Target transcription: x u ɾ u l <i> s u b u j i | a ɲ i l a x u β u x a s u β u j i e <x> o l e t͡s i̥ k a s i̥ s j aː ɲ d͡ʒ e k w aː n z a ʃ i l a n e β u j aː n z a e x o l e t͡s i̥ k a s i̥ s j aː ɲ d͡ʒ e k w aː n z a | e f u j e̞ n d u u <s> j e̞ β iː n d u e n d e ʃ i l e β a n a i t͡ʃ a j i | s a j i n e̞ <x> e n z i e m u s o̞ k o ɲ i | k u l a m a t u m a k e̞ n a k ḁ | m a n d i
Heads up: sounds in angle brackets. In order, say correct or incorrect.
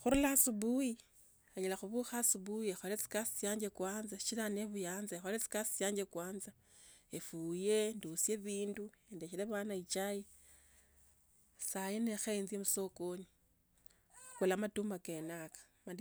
incorrect: a, correct, correct, correct

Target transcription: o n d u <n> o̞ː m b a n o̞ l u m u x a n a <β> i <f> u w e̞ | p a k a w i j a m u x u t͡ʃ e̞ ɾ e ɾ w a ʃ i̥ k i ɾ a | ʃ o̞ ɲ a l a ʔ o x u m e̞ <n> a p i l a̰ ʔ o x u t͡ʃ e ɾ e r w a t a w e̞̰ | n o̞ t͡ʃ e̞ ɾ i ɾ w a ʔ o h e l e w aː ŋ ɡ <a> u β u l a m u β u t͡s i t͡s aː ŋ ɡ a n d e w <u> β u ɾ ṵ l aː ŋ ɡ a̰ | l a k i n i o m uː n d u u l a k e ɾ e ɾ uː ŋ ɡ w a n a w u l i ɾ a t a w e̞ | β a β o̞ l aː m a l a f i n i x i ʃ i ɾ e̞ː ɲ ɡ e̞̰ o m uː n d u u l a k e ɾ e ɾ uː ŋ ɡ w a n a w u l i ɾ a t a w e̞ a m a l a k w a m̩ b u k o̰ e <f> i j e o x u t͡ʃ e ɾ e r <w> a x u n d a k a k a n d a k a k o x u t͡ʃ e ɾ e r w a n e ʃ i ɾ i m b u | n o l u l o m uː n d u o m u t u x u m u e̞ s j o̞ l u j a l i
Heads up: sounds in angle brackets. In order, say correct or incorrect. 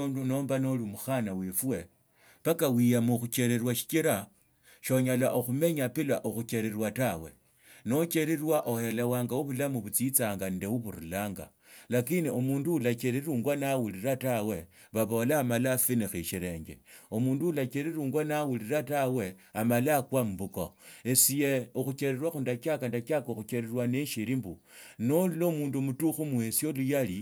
correct, incorrect: w, correct, incorrect: ɲ, correct, correct, incorrect: s, correct

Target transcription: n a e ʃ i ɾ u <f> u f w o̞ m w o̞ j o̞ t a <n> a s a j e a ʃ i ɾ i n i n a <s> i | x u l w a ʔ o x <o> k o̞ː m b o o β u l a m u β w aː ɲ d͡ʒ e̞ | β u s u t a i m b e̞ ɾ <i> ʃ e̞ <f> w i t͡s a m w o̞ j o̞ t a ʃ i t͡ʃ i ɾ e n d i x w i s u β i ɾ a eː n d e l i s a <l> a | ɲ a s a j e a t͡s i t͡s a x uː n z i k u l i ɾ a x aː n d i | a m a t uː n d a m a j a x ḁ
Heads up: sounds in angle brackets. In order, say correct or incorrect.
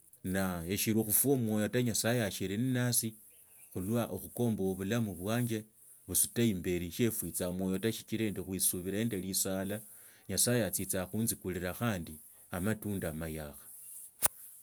incorrect: x, incorrect: ɲ, correct, incorrect: u, correct, correct, correct

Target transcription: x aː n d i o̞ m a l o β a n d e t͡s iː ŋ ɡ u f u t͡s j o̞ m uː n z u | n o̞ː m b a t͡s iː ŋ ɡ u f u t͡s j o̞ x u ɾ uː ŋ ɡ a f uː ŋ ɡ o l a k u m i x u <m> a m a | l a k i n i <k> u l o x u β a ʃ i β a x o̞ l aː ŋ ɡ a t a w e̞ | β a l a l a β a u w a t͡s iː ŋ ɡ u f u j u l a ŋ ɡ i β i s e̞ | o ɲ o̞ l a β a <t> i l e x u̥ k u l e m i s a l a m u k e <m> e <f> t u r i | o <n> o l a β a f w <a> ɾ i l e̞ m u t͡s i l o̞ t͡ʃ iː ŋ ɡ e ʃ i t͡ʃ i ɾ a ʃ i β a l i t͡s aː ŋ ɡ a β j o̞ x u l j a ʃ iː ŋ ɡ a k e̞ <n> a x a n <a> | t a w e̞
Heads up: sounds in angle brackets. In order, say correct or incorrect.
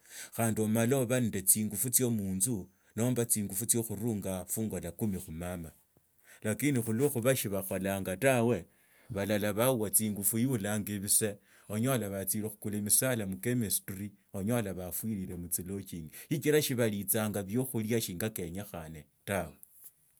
correct, incorrect: x, incorrect: t͡s, correct, incorrect: s, incorrect: ɲ, incorrect: i, incorrect: ɲ, incorrect: e

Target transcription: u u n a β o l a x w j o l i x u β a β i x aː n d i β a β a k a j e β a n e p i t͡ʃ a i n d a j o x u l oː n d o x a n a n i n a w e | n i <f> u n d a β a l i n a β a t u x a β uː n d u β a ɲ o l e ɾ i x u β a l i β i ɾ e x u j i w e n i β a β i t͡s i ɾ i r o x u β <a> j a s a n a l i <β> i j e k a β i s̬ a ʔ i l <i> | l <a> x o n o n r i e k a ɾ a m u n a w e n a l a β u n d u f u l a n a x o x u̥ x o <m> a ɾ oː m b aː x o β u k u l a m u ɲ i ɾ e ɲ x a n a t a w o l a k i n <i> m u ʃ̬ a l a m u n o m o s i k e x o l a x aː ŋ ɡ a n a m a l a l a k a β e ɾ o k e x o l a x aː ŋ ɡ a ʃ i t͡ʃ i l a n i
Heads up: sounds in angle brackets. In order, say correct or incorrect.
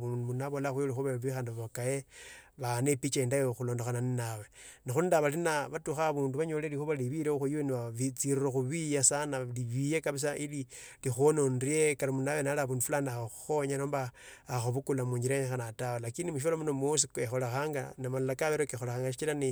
incorrect: x, incorrect: i, correct, correct, incorrect: i, incorrect: ɲ, correct

